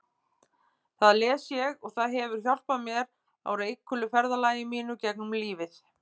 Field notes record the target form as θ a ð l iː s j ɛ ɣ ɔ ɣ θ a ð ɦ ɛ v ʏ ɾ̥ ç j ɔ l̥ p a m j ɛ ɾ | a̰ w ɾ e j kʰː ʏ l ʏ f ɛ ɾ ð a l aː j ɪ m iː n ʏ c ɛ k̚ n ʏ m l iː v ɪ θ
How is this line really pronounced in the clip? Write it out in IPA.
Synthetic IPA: θ a ð l ɛː s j ɛ ɣ ɔ ɣ θ a ð ɦ ɛ v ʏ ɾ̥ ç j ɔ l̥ p a m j ɛ ɾ | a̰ w ɾ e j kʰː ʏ l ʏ f ɛ ɾ ð a l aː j ɪ m iː n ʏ c ɛ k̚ n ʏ m l iː v ɪ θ